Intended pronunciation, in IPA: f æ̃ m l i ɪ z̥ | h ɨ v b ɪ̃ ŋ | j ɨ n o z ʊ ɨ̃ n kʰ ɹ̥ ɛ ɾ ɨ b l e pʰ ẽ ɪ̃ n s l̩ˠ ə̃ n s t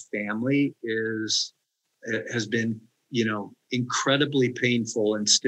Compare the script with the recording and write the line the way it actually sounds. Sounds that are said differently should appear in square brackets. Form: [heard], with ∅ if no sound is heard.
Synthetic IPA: f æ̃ m l i ɪ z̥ | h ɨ [z] b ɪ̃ [n] | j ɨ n o [∅] ʊ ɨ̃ n kʰ ɹ̥ ɛ ɾ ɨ b l [i] pʰ ẽ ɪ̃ n [f] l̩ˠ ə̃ n s t